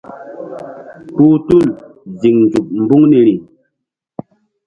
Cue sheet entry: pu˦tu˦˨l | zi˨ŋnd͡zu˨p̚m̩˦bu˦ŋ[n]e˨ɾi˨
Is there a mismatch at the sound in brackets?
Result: no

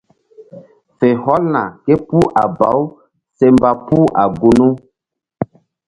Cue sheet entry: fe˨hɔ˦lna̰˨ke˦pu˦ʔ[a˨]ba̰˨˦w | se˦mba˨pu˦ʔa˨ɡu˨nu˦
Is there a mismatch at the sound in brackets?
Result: no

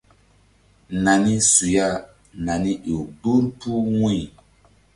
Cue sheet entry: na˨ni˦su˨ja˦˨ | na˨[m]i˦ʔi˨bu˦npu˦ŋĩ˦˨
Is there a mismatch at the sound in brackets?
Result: yes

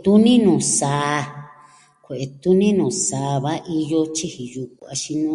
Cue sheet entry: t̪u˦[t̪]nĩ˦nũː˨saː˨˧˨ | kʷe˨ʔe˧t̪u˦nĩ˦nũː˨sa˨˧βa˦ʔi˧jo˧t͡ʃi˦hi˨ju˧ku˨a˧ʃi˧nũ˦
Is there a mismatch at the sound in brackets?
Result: yes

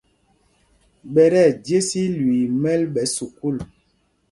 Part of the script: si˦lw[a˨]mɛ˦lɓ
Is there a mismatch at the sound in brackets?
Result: yes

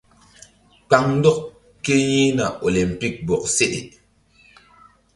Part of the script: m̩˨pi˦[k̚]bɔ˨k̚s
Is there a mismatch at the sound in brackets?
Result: no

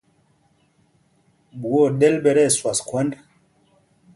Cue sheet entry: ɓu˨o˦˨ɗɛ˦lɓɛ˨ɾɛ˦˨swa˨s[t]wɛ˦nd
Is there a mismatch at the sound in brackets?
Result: yes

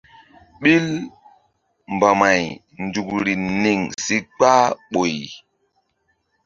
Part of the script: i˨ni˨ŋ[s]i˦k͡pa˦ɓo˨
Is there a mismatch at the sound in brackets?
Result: no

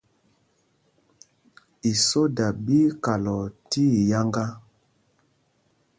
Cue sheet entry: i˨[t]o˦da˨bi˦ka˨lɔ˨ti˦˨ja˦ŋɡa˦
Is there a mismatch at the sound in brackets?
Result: yes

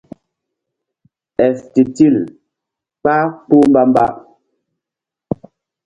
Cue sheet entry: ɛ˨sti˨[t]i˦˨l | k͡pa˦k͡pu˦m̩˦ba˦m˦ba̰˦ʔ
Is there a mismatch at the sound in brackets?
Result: no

